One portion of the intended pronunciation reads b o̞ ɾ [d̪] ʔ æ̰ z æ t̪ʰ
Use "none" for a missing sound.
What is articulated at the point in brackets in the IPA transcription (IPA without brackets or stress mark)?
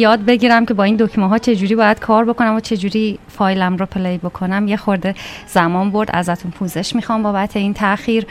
d̪